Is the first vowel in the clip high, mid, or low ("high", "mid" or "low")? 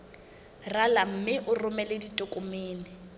low